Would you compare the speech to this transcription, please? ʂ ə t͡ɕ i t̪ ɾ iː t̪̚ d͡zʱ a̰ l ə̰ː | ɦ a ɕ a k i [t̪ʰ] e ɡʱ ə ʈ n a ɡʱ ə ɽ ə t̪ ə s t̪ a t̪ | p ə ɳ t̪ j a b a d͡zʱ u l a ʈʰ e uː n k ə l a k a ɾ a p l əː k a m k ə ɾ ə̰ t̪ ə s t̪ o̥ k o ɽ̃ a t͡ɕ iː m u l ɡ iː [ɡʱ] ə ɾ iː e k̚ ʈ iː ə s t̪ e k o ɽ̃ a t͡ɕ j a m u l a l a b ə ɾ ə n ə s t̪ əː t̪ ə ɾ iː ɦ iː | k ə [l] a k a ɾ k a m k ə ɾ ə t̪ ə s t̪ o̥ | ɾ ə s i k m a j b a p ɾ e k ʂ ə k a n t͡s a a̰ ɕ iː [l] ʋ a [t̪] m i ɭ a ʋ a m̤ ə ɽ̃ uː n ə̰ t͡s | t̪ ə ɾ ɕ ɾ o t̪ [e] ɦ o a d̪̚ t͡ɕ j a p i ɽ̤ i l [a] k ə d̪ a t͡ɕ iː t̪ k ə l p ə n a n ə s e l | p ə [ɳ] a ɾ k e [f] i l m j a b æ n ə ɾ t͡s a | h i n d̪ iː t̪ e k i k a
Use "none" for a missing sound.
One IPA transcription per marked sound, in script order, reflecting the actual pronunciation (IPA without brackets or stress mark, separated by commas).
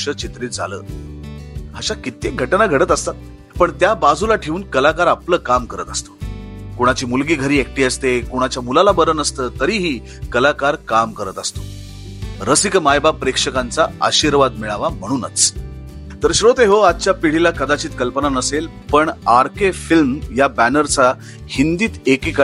t̪, ɡʱ, l, ɾ, d̪, e, a, ɳ, f